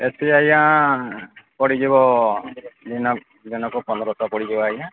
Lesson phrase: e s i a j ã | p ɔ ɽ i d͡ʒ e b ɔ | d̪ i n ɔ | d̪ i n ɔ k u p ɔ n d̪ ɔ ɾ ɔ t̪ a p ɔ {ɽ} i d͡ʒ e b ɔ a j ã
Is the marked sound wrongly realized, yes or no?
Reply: no